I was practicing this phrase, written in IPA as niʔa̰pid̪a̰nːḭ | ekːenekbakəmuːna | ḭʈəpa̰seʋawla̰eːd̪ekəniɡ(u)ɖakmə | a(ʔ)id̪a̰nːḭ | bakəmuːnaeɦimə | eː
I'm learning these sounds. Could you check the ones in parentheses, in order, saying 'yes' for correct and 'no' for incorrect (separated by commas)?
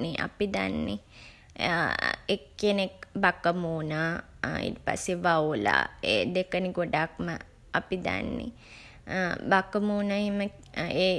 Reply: no, no